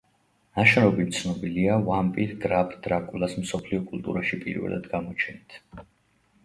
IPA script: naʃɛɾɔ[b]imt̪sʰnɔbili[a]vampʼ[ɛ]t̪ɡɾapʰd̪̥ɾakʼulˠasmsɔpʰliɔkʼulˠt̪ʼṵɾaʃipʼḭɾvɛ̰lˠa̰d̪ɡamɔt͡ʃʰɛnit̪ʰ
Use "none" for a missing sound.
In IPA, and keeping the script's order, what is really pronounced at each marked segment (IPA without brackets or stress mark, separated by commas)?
b, a, i